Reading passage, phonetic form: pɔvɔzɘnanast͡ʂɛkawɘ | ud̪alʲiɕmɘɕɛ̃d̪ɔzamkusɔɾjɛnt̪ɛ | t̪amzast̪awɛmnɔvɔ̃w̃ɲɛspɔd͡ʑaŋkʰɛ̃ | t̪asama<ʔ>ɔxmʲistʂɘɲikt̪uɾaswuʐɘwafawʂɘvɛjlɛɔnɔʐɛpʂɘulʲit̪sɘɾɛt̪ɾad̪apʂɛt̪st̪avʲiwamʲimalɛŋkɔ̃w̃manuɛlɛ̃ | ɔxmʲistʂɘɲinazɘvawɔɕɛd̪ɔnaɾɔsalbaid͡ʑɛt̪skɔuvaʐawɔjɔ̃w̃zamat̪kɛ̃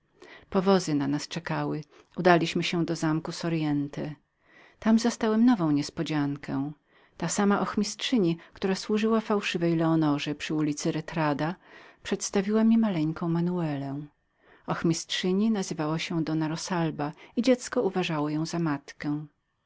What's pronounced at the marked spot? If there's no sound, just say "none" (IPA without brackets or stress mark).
ʔ